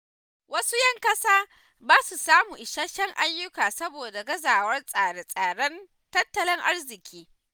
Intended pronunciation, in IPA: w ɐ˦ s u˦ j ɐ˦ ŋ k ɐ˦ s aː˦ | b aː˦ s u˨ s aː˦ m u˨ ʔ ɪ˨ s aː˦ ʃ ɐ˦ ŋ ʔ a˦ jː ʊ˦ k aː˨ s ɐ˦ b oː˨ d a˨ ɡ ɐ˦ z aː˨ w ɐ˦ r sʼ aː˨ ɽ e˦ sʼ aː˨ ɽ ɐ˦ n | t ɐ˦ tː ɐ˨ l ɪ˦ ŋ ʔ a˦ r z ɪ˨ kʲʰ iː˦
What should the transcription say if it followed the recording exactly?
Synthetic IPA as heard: w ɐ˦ s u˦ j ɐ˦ ŋ k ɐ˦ s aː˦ | b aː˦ s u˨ s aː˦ m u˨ ʔ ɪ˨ ʃ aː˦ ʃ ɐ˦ ŋ ʔ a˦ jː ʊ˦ k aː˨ s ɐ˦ b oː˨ d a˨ ɡ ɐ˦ z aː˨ w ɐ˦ r sʼ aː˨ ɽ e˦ sʼ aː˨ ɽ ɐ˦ n | t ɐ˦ tː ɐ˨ l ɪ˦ ŋ ʔ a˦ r z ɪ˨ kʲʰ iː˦